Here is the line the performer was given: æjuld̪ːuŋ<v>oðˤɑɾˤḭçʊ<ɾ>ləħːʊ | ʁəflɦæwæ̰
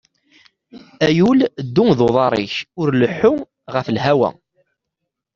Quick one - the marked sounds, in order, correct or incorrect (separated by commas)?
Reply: incorrect, correct